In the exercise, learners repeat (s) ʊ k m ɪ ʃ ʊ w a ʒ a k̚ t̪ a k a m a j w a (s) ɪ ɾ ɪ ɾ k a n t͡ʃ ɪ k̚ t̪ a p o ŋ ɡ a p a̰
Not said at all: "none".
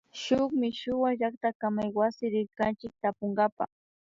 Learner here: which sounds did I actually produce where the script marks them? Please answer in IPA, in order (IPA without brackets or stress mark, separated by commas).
ʃ, s